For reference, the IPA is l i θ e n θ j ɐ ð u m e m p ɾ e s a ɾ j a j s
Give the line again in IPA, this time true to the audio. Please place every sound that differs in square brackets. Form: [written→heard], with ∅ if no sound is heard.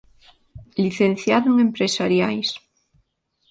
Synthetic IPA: l i θ e n θ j [ɐ→a] ð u [m→ŋ] e m p ɾ e s a ɾ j a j s